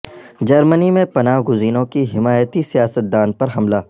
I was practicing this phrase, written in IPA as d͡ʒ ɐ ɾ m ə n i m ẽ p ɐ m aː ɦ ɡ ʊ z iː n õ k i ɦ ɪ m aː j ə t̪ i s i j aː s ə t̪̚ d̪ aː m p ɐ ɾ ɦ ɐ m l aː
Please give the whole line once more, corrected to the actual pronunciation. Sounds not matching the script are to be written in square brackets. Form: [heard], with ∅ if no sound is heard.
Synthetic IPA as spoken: d͡ʒ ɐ ɾ m ə n i m ẽ p ɐ [n] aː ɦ ɡ ʊ z iː n õ k i ɦ ɪ m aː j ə t̪ i s i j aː s ə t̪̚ d̪ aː [n] p ɐ ɾ ɦ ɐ m l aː